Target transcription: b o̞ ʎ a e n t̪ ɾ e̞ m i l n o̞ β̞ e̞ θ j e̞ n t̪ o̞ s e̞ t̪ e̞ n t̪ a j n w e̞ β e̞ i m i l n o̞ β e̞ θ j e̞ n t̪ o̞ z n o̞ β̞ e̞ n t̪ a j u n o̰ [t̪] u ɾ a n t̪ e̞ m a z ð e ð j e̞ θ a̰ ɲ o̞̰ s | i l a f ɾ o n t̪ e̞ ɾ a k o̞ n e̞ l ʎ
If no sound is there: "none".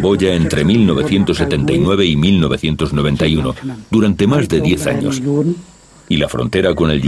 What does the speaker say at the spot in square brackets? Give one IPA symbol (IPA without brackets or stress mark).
d̪